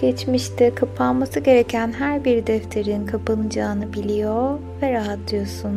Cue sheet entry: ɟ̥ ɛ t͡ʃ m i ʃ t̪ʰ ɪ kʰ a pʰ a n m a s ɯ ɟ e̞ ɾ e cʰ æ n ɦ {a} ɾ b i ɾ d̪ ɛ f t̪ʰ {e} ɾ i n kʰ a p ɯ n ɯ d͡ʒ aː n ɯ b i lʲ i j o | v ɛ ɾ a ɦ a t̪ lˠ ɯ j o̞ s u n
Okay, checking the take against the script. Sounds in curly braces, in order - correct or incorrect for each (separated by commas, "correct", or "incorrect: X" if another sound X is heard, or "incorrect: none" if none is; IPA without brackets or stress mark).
incorrect: æ, correct